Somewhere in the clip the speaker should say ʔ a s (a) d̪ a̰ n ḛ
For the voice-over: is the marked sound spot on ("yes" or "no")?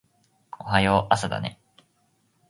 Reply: yes